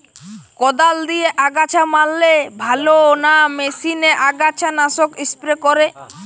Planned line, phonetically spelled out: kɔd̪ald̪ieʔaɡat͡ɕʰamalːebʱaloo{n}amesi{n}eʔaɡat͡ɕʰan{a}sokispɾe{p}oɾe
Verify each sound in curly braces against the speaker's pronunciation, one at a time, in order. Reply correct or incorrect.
correct, correct, correct, incorrect

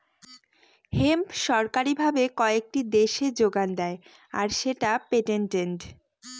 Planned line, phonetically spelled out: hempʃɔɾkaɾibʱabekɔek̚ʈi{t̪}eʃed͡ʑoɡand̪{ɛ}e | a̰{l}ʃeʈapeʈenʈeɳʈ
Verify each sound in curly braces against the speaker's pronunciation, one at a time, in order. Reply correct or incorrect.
incorrect, correct, incorrect

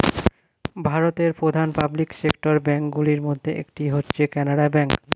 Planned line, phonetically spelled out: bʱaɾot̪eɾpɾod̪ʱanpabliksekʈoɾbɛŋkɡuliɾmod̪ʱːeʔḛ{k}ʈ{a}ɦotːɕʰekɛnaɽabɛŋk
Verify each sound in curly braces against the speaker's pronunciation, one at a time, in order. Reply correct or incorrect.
correct, incorrect

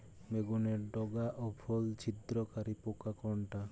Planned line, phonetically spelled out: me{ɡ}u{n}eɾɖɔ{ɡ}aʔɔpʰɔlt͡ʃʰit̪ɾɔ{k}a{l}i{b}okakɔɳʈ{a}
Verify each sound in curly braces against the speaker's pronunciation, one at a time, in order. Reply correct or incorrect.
correct, correct, correct, correct, incorrect, incorrect, correct

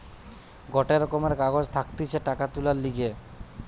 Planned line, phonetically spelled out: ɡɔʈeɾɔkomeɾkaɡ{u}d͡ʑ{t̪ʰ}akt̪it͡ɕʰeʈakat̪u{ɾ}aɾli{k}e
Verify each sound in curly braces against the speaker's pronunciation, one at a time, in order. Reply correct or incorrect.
incorrect, correct, incorrect, incorrect

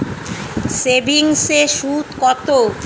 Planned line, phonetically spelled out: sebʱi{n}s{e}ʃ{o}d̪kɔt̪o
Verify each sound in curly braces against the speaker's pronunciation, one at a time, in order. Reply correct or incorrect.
incorrect, correct, incorrect

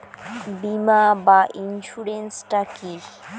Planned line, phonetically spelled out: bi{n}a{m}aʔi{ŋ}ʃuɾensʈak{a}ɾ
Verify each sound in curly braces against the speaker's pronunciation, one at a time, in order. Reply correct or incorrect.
incorrect, incorrect, incorrect, incorrect

